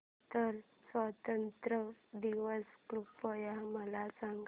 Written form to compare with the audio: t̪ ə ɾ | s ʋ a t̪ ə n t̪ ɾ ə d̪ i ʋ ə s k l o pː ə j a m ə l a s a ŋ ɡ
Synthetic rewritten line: t̪ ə ɾ | s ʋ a t̪ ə n t̪ ɾ ə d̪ i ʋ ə s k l u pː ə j a m ə l a s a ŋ ɡ